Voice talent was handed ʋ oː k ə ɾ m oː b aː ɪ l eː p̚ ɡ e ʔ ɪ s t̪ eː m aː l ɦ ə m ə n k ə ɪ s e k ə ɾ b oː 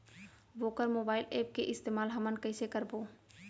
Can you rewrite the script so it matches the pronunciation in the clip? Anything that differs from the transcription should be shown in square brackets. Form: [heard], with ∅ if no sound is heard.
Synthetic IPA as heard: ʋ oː k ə ɾ m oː b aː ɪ l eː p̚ [k] e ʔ ɪ s t̪ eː m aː l ɦ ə m ə n k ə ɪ s e k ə ɾ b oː